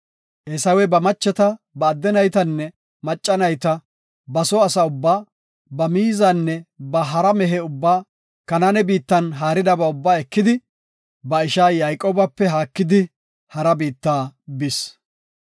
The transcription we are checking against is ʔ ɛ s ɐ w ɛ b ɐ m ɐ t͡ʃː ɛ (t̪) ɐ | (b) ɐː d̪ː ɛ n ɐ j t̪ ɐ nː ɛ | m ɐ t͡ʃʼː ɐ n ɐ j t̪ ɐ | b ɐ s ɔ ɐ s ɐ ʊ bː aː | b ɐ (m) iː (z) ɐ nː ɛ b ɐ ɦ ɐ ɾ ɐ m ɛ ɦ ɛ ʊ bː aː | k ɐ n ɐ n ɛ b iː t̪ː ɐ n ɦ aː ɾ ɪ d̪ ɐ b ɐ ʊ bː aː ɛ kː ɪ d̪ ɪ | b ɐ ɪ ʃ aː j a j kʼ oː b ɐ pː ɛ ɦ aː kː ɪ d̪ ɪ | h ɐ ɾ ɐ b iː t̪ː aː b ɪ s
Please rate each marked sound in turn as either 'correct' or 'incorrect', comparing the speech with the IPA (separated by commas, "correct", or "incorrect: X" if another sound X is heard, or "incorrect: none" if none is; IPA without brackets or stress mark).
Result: correct, correct, correct, correct